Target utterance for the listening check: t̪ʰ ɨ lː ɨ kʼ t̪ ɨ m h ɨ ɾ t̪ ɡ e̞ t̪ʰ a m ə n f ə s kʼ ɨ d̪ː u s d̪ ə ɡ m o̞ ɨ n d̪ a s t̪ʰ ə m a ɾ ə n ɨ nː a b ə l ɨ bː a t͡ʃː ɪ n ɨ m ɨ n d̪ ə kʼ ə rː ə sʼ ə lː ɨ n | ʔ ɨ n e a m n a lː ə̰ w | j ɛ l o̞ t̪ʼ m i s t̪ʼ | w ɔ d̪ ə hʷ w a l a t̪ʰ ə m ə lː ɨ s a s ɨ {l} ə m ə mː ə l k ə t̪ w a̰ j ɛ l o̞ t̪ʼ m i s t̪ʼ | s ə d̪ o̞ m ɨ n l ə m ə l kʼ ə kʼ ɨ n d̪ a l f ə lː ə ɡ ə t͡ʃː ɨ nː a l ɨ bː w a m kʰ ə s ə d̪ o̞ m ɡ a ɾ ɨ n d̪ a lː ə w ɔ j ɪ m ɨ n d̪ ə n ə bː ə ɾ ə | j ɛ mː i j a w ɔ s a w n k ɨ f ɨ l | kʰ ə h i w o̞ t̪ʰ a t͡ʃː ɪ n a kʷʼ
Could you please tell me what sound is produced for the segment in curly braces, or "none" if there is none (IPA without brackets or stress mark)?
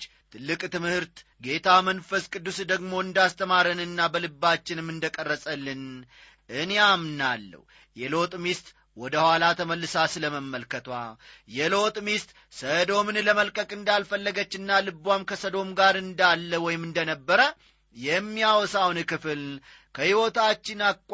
l